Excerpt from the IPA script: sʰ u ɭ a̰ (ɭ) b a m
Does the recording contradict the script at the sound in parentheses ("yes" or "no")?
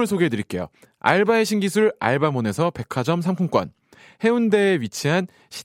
no